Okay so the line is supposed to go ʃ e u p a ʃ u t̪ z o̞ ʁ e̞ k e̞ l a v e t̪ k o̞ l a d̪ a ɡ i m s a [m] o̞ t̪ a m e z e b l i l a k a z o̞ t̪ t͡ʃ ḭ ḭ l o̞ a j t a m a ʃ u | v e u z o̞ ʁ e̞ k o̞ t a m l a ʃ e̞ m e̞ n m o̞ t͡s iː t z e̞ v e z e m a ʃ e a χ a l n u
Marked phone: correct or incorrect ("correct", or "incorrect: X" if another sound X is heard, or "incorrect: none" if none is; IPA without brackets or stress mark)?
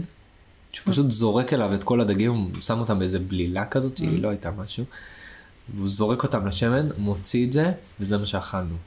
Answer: correct